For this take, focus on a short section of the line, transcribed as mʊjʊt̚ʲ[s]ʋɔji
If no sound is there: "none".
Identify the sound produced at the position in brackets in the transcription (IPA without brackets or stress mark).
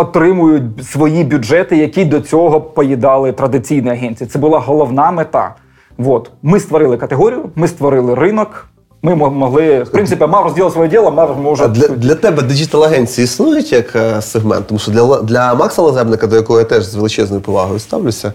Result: s